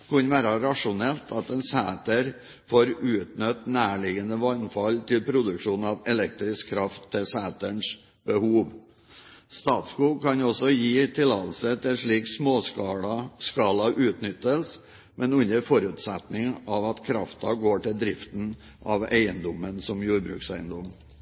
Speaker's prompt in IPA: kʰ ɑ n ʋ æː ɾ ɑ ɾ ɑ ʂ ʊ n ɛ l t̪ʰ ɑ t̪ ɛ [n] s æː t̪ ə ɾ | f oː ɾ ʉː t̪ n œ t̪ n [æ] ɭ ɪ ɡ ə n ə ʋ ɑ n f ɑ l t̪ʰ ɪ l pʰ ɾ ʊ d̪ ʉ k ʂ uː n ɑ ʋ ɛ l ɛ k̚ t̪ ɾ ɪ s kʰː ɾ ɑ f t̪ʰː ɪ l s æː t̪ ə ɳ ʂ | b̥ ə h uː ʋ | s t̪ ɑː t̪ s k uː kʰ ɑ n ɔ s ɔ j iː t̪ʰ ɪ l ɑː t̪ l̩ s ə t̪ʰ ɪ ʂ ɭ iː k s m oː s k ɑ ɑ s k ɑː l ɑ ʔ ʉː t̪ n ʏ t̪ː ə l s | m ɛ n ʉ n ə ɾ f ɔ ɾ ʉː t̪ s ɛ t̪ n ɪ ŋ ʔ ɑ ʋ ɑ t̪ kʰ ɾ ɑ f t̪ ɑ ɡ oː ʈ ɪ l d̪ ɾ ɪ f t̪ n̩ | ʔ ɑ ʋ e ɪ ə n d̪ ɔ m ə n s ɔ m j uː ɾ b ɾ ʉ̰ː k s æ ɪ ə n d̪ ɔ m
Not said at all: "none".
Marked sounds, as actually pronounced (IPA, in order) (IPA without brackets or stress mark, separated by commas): n, æː